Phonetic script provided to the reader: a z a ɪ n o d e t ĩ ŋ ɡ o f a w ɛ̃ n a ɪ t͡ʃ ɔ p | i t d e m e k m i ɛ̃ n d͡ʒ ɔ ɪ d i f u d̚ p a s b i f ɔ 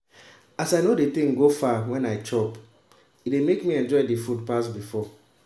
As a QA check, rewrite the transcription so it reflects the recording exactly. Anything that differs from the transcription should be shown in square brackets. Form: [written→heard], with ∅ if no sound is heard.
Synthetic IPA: a [z→s] a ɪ n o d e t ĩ ŋ ɡ o f a w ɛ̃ n a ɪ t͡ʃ ɔ p | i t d e m e k m i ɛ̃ n d͡ʒ ɔ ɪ d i f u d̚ p a s b i f ɔ

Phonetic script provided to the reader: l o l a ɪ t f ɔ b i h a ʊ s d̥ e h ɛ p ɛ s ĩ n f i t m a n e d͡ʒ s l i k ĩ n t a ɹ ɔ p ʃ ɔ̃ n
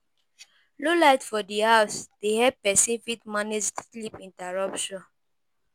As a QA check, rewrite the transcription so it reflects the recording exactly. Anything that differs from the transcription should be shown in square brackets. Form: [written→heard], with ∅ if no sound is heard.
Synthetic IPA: l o l a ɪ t f ɔ [b→d] i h a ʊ s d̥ e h ɛ p ɛ s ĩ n f i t m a n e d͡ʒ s l i [k→p] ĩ n t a ɹ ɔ p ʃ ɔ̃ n

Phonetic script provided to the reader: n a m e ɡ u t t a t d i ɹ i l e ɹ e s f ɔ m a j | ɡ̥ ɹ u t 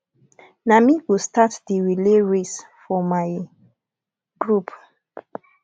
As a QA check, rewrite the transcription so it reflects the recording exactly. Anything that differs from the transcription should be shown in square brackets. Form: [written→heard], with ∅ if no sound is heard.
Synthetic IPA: n a m [e→i] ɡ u [t→s] t a t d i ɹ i l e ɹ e s f ɔ m a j | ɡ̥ ɹ u [t→p]

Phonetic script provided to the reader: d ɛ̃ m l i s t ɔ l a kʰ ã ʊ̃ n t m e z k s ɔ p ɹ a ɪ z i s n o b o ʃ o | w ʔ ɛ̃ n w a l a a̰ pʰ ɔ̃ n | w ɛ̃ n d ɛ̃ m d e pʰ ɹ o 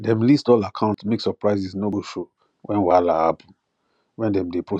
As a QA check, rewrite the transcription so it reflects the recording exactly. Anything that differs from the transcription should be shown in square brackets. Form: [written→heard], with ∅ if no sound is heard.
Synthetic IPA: d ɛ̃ m l i s t ɔ l a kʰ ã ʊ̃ n t m e [z→∅] k s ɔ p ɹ a ɪ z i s n o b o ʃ o | w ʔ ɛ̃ n w a l a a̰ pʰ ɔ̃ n | w ɛ̃ n d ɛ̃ m d e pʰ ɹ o

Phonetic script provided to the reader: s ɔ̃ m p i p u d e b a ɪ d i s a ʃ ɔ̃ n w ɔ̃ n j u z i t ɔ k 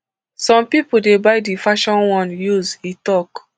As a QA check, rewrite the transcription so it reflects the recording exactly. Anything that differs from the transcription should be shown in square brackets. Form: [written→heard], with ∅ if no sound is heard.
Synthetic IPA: s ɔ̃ m p i p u d e b a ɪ d i [s→f] a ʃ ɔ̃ n w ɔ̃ n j u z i t ɔ k

